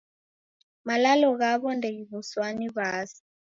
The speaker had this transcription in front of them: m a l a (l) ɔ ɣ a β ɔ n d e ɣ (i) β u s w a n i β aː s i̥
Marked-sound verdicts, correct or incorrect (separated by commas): correct, correct